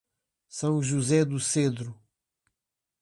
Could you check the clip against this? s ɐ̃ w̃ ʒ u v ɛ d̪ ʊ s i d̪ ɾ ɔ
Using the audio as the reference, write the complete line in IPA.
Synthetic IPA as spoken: s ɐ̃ w̃ ʒ u z ɛ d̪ u s e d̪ ɾ u